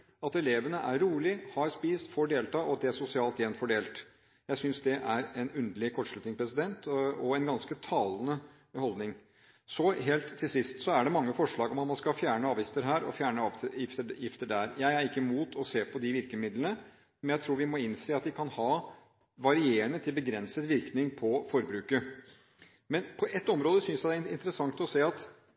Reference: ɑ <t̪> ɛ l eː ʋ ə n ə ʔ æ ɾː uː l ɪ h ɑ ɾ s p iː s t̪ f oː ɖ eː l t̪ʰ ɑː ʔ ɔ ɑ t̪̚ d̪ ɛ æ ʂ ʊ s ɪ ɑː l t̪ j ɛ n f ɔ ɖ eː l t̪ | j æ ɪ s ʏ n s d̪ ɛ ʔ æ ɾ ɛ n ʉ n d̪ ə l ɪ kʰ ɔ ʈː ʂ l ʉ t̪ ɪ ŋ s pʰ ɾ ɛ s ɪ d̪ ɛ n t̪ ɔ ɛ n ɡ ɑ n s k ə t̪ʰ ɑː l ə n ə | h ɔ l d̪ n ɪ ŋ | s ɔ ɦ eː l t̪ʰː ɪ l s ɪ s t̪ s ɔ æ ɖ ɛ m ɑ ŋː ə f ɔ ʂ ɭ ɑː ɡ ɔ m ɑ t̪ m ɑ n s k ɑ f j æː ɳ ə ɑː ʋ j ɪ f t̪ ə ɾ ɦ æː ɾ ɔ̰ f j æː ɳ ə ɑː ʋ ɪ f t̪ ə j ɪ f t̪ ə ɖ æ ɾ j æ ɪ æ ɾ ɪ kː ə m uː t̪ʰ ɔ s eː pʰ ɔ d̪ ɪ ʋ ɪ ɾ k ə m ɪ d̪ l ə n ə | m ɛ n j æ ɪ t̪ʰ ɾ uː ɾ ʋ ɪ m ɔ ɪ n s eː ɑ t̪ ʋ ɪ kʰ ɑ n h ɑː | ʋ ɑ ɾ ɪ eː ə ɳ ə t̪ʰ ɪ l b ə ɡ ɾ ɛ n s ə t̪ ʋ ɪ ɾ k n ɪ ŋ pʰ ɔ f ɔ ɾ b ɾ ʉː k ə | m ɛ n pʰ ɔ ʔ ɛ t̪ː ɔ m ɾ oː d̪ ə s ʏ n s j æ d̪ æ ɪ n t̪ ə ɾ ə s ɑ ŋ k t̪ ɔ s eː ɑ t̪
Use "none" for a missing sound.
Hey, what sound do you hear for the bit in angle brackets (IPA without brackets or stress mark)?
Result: t̪